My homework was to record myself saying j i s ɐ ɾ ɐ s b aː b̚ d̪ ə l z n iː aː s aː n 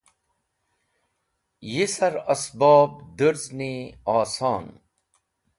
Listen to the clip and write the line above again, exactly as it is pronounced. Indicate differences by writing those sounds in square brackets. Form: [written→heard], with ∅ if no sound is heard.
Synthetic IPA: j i s ɐ ɾ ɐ s b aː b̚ d̪ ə [l→ɾ] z n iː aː s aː n